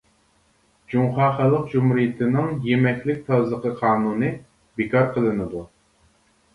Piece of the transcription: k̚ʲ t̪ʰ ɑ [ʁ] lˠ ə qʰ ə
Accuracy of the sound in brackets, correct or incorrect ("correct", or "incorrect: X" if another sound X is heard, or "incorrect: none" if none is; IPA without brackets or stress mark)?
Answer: incorrect: z